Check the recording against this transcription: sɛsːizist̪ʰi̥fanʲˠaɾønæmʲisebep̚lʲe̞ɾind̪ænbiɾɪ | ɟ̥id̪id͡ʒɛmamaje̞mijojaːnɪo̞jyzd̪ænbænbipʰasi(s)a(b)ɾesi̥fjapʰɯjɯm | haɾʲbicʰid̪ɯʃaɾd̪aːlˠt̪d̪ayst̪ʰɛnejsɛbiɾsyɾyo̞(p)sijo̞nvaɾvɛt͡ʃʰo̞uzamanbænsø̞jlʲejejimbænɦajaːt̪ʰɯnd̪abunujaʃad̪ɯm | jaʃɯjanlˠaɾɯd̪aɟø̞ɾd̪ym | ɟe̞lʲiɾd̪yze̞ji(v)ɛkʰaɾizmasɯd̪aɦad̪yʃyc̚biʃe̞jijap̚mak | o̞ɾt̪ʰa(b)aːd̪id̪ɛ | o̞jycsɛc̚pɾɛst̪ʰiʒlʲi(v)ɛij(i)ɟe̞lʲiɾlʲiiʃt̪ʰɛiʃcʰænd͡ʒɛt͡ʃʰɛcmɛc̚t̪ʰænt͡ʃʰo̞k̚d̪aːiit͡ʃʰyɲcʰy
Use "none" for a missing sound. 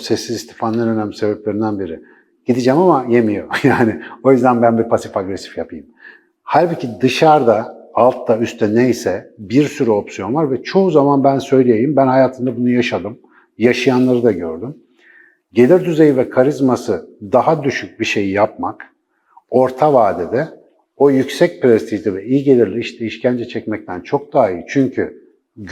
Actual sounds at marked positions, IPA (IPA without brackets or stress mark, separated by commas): f, ɡ, p, v, v, v, i